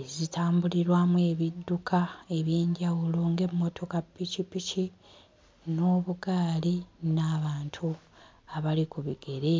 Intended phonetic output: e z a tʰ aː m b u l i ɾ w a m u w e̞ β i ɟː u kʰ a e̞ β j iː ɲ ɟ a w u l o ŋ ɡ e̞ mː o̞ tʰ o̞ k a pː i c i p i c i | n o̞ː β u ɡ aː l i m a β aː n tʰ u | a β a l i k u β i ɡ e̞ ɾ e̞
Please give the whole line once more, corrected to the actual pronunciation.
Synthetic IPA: e z i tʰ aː m b u l i ɾ w a m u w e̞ β i dː u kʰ a e̞ β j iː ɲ ɟ a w u l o ŋ ɡ e̞ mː o̞ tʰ o̞ k a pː i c i p i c i | n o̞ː β u ɡ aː l i n a β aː n tʰ u | a β a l i k u β i ɡ e̞ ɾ e̞